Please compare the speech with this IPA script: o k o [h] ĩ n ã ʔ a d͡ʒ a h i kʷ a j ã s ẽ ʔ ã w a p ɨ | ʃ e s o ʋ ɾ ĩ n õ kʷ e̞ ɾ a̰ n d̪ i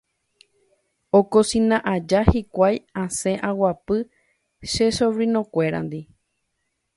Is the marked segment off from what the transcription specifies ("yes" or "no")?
yes